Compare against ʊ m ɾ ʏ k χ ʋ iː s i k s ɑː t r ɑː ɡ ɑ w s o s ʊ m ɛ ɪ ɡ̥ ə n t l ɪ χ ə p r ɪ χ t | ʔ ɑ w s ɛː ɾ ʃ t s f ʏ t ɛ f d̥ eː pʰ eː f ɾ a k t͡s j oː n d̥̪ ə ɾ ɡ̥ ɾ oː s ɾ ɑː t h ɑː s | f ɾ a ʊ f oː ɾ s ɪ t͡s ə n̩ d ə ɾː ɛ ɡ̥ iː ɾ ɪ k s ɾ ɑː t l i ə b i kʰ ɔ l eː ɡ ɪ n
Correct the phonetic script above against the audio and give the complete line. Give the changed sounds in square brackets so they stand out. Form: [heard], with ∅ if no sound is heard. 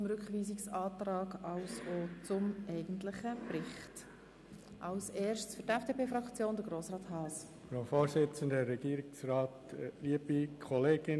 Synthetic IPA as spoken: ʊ m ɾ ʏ k χ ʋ iː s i k s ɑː t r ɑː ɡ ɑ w s o [t͡s] ʊ m ɛ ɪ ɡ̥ ə n t l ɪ χ ə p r ɪ χ t | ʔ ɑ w s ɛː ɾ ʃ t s f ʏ t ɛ f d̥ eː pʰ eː f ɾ [ɑ] k t͡s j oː n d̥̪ ə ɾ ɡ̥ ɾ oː s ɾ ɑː t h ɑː s | f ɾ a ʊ f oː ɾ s ɪ t͡s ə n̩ d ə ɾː ɛ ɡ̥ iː ɾ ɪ k s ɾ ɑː t l i ə b i kʰ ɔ l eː ɡ ɪ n